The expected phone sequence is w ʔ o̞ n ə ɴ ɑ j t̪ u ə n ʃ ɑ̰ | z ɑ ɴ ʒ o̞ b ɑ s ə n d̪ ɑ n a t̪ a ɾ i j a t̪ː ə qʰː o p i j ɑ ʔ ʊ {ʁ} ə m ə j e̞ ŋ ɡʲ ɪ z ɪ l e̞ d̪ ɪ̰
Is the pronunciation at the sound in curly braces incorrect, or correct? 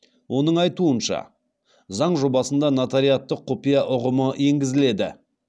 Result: correct